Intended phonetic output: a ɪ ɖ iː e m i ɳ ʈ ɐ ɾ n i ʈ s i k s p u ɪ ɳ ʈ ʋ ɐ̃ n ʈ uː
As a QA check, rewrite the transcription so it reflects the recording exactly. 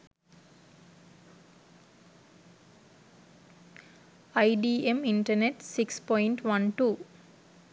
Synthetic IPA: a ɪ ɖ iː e m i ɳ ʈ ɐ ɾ n e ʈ s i k s p ɔ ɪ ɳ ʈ ʋ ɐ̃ n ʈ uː